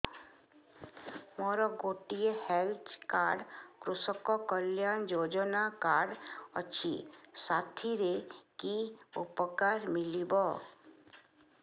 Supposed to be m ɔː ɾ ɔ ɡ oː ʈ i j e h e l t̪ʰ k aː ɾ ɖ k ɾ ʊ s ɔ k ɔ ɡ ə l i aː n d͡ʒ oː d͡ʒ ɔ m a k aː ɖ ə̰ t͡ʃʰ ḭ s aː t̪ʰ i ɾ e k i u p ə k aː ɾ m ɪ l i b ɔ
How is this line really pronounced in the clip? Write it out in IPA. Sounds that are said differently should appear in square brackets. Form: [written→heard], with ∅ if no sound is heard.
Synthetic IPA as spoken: m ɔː ɾ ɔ ɡ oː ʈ i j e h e l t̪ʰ k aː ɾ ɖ k ɾ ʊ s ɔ k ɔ [ɡ→k] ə l [i→j] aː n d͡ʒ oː d͡ʒ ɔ [m→n] a k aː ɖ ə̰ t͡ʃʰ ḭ s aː t̪ʰ i ɾ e k i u p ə k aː ɾ m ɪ l i b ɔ